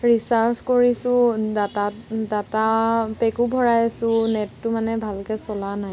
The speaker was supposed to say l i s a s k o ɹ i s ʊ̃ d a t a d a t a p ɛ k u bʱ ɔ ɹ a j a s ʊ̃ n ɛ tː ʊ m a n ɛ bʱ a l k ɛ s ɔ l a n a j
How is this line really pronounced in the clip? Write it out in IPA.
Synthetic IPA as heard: ɹ i s a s k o ɹ i s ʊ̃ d a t a d a t a p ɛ k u bʱ ɔ ɹ a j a s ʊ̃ n ɛ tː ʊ m a n ɛ bʱ a l k ɛ s ɔ l a n a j